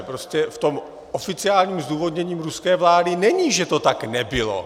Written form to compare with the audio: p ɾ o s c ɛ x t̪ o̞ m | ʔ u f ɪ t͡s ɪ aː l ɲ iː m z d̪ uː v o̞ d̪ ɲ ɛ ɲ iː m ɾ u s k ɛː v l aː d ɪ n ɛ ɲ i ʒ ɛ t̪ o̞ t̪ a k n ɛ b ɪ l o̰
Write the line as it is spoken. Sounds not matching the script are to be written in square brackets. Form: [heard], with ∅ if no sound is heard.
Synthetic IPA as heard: p ɾ o s c ɛ [f] t̪ o̞ m | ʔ [o] f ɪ t͡s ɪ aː l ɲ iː m z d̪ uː v o̞ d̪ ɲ ɛ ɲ iː m ɾ u s k ɛː v l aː d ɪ n ɛ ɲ i ʒ ɛ t̪ o̞ t̪ a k n ɛ b ɪ l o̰